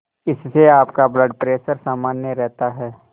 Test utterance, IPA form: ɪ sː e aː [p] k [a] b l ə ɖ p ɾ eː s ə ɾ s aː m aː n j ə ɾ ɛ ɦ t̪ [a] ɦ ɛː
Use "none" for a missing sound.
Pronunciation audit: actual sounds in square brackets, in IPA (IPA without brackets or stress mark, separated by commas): p, a, a